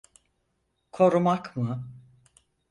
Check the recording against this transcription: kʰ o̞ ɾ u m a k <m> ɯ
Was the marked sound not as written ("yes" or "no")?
no